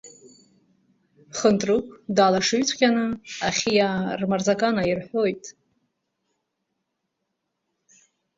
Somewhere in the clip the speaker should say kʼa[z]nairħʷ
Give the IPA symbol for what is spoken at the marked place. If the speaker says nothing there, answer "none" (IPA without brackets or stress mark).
none